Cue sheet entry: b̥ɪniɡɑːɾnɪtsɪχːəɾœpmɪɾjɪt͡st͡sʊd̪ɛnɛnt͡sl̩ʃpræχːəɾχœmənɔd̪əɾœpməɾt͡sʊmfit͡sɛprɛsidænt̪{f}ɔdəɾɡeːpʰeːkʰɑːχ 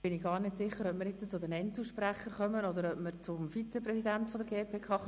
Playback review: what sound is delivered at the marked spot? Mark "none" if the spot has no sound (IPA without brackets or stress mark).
f